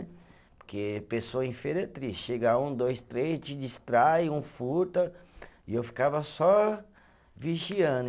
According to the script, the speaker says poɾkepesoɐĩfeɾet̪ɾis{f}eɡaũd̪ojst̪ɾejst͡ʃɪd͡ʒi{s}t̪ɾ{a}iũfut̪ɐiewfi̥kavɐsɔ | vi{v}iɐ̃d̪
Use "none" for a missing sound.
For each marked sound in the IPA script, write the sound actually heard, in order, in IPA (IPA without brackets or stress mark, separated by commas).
ʃ, s, a, ʒ